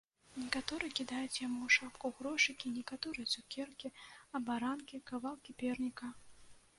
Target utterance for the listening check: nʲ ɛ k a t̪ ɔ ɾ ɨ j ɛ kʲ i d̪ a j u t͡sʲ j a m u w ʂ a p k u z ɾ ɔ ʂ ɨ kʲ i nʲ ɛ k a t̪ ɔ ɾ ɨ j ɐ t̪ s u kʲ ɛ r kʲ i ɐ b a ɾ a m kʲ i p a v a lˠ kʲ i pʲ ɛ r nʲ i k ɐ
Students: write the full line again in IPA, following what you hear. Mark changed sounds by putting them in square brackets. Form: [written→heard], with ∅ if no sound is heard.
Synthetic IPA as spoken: nʲ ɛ k a t̪ ɔ ɾ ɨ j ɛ kʲ i d̪ a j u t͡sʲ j a m u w ʂ a p k u [z→ɣ] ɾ ɔ ʂ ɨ kʲ i nʲ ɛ k a t̪ ɔ ɾ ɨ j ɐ t̪ s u kʲ ɛ r kʲ i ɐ b a ɾ a [m→n] kʲ i [p→k] a v a lˠ kʲ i pʲ ɛ r nʲ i k ɐ